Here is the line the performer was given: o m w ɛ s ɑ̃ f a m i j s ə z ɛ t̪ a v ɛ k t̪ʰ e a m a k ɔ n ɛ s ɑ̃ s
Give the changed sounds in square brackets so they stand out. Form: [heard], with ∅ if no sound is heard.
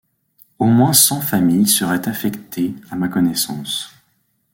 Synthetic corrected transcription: o m w [ɛ̃] s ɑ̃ f a m i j s ə [ʁ] ɛ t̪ a [f] ɛ k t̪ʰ e a m a k ɔ n ɛ s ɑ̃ s